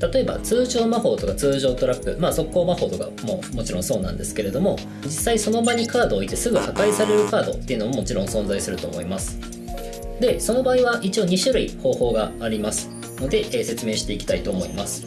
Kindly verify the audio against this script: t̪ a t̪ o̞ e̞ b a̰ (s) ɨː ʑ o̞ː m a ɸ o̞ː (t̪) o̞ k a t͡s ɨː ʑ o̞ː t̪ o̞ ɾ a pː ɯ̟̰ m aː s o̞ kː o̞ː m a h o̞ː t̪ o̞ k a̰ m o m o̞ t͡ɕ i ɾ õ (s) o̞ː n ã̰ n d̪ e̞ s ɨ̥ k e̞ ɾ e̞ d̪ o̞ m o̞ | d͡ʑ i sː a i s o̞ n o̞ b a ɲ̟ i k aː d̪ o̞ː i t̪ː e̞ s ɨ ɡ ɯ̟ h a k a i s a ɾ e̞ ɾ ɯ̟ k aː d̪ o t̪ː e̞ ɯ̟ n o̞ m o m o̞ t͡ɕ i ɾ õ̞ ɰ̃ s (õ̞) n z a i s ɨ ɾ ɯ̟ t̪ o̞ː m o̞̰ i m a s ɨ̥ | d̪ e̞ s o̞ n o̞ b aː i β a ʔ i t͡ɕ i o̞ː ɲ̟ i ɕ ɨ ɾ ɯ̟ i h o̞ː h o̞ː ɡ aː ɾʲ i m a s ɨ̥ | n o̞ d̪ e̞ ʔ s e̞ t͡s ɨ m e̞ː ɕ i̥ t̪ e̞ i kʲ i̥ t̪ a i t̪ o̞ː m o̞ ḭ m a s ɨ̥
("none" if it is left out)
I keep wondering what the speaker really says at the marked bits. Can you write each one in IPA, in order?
t͡s, t̪, s, õ̞

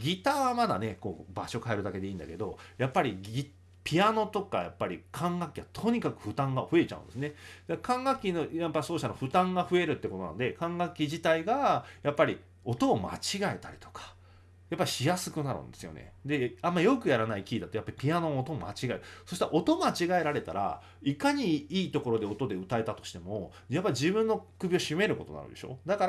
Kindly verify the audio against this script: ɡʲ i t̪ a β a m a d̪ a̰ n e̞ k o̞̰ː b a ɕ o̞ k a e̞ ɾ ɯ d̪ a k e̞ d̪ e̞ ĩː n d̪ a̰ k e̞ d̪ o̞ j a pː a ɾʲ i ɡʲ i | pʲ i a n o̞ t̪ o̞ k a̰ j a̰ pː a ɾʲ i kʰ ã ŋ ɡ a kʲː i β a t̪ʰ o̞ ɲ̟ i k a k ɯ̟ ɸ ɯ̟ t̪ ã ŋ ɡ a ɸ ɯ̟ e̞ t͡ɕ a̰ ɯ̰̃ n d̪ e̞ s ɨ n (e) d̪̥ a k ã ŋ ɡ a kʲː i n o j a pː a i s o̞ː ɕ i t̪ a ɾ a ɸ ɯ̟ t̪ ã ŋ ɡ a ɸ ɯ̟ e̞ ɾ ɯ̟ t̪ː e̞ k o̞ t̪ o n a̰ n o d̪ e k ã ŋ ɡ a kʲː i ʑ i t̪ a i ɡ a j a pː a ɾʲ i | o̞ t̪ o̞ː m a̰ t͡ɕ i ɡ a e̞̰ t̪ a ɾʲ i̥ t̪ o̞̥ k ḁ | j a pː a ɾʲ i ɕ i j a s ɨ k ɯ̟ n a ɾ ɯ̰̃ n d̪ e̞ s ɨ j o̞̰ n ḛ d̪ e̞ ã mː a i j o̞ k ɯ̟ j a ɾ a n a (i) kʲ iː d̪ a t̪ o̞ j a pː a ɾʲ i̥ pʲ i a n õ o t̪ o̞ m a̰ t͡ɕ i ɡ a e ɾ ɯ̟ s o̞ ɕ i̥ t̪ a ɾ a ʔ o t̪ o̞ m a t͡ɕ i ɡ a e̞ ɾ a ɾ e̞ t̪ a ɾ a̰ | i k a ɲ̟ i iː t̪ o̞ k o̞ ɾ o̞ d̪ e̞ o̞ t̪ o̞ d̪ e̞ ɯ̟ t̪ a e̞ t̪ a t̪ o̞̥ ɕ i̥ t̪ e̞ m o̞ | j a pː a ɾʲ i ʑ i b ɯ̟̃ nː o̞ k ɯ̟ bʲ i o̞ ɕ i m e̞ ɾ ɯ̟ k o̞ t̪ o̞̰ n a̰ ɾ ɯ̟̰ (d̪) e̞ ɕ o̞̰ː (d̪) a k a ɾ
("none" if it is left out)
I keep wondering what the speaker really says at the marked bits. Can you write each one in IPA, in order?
e, i, d̪, d̪

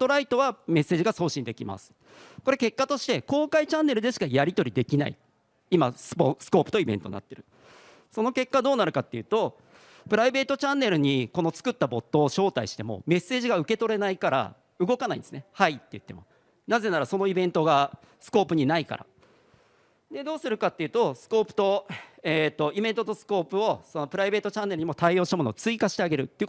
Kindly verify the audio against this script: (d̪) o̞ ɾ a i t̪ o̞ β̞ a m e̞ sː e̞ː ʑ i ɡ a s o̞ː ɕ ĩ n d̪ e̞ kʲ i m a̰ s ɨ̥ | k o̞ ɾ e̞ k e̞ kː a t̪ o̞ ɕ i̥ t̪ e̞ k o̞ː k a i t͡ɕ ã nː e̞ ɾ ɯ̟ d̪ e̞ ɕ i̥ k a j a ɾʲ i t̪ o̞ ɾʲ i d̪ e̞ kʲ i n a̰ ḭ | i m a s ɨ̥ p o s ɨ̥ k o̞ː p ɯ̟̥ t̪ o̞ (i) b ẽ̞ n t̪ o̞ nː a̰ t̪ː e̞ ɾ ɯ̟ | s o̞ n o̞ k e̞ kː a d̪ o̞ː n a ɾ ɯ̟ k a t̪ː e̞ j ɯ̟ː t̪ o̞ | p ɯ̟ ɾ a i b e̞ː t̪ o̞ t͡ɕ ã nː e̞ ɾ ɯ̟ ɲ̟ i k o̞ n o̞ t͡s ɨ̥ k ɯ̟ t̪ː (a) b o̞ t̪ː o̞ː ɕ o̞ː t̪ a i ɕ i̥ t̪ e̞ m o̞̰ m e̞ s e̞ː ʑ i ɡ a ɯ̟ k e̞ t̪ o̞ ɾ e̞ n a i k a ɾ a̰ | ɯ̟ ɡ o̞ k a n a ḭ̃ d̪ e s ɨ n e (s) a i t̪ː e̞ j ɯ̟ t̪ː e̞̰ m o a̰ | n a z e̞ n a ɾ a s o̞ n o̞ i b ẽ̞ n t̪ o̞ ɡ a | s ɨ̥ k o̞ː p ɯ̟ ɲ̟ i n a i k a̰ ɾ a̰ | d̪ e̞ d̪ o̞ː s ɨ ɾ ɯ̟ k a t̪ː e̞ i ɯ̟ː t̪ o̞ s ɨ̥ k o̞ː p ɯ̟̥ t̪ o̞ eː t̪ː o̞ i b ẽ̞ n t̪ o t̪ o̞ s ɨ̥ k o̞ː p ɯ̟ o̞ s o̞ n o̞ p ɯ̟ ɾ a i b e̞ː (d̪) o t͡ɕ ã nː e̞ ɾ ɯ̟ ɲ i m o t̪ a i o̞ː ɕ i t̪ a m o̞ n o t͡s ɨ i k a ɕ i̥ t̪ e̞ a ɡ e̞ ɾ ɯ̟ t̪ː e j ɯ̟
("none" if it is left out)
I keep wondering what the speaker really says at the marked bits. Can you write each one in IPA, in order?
t̪, i, a, h, t̪

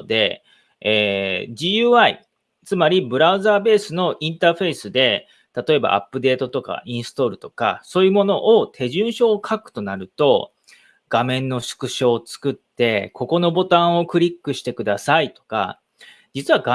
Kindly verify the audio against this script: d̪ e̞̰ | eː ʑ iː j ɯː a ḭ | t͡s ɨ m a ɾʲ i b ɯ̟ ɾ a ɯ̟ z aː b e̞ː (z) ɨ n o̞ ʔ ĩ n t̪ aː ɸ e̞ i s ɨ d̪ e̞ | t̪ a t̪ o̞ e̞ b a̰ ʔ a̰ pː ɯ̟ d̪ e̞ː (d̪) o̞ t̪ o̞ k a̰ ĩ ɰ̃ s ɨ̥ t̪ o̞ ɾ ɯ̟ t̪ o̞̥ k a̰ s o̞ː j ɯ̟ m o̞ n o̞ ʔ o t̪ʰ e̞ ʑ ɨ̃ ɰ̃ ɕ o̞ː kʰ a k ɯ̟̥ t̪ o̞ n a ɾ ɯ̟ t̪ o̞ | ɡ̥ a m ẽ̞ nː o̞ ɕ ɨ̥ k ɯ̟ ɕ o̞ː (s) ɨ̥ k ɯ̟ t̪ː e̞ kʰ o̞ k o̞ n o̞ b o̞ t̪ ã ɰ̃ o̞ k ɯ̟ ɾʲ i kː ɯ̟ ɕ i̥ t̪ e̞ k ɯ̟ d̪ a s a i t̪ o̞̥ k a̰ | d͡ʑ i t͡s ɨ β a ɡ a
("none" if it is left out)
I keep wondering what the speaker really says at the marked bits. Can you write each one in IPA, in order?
s, t̪, t͡s

